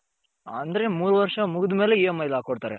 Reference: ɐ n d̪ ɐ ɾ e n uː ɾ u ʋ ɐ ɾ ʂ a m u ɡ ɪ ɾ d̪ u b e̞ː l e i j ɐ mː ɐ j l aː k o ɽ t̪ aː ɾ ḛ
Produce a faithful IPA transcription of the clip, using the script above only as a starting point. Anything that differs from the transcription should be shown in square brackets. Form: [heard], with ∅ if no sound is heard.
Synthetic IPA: ɐ n d̪ ɐ ɾ e [m] uː ɾ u ʋ ɐ ɾ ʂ [ɐ] m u ɡ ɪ [∅] d̪ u [m] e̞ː l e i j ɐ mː ɐ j l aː k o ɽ t̪ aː ɾ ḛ